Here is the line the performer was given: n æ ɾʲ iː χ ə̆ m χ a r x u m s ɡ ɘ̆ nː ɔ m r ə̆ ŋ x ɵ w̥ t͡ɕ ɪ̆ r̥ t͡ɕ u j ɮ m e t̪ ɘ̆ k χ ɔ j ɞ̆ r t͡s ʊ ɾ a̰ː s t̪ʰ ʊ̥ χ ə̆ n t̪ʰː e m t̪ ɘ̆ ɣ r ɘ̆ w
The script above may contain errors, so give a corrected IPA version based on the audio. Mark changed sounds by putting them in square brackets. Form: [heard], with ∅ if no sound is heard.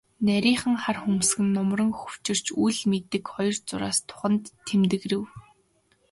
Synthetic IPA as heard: n æ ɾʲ iː χ ə̆ [ŋ] χ a r x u m s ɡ ɘ̆ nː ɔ m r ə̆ ŋ x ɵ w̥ t͡ɕ ɪ̆ r̥ t͡ɕ u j ɮ m e t̪ ɘ̆ k χ ɔ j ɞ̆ r t͡s ʊ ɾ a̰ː s t̪ʰ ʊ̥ χ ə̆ n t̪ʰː e m t̪ ɘ̆ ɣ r ɘ̆ w